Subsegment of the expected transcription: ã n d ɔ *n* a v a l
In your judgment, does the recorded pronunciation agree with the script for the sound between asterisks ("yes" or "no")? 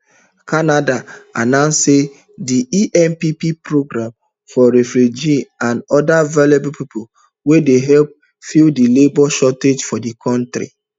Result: no